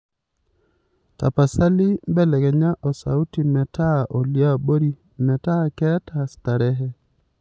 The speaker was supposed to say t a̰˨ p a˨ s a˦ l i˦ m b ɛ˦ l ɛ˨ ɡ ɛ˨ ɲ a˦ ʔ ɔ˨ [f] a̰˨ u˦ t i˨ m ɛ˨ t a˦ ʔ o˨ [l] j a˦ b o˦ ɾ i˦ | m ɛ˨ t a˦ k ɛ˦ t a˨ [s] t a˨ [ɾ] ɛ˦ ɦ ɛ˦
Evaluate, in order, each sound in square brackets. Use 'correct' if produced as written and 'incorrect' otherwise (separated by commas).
incorrect, correct, correct, correct